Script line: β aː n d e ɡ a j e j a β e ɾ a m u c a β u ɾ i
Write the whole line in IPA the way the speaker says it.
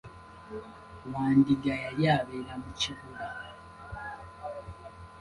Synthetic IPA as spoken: w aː n d i ɡ a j a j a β e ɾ a m u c i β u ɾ a

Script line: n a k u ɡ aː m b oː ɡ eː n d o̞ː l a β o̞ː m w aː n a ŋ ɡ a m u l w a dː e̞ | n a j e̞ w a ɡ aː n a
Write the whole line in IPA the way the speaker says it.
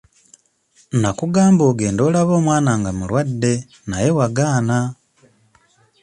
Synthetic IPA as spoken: n a k u ɡ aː m b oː ɡ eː n d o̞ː l a β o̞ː m w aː n a ŋ ɡ a m u l w a dː e̞ | n a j e̞ w a ɡ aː n a

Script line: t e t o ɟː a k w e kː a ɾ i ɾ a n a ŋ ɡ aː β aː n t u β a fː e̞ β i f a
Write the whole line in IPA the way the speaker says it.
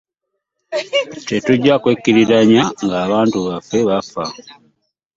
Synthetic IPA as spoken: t e t u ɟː a k w e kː i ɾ i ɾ a ɲ a ŋ ɡ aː β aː n t u β a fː e̞ β a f a

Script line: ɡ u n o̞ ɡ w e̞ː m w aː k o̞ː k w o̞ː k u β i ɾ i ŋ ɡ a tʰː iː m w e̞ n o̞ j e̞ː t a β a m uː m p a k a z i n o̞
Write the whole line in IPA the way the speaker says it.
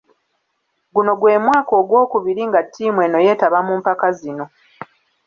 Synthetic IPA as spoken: ɡ u n o̞ ɡ w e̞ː m w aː k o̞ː ɡ w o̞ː k u β i ɾ i ŋ ɡ a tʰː iː m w e̞ n o̞ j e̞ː t a β a m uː m p a k a z i n o̞

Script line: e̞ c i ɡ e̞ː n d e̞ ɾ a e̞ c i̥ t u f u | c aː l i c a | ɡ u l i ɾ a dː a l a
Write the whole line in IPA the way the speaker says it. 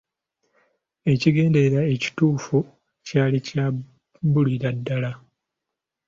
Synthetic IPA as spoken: e̞ c i ɡ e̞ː n d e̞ ɾ a e̞ c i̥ t uː f u | c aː l i c a | b u l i ɾ a dː a l a

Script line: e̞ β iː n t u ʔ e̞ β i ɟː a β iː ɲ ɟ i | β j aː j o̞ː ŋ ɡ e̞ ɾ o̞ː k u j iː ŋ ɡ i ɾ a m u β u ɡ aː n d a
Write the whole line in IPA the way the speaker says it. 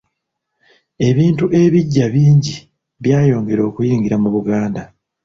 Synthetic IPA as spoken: e̞ β iː n t u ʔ e̞ β i ɟː a β iː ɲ ɟ i | β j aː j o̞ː ŋ ɡ e̞ ɾ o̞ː k u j iː ŋ ɡ i ɾ a m u β u ɡ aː n d a

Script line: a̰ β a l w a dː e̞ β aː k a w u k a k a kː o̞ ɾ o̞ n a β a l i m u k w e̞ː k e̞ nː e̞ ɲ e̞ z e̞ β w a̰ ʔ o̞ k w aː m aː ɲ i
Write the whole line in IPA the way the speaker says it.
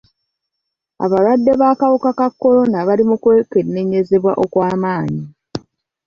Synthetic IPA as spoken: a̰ β a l w a dː e̞ β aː k a w u k a k a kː o̞ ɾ o̞ n a β a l i m u k w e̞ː k e̞ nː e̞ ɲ e̞ z e̞ β w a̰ ʔ o̞ k w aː m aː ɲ i

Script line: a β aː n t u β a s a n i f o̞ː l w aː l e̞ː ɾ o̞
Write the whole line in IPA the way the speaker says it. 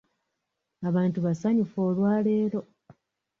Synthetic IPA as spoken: a β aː n t u β a s a ɲ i f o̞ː l w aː l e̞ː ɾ o̞

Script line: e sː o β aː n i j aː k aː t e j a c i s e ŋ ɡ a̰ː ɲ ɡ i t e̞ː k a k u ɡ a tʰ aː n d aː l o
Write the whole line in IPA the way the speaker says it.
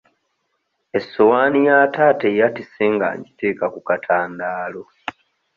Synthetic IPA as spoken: e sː o w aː n i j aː t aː t e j a t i s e ŋ ɡ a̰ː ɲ ɟ i t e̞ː k a k u k a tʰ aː n d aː l o

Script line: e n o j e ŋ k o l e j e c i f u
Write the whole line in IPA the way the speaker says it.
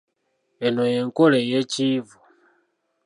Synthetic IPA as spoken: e n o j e ŋ k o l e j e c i v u

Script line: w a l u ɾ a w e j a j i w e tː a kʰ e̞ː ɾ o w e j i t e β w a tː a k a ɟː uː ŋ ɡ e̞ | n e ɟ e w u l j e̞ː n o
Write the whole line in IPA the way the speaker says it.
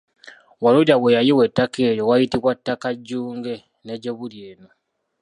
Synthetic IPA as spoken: w a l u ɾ a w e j a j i w e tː a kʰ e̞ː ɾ o w a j i t i β w a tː a k a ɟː uː ŋ ɡ e̞ | n e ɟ e β u l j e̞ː n o

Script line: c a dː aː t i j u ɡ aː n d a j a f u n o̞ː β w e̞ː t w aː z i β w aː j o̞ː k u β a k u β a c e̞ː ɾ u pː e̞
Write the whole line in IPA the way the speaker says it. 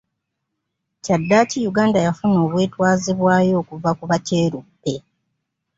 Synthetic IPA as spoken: c a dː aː c i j u ɡ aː n d a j a f u n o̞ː β w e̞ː t w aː z i β w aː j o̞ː k u v a k u β a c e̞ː ɾ u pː e̞

